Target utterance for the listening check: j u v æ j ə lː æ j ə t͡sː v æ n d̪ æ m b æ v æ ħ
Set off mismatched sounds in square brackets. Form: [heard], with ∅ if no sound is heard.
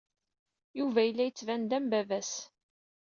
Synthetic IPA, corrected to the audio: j u v æ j ə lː æ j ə t͡sː v æ n d̪ æ m b æ v æ [s]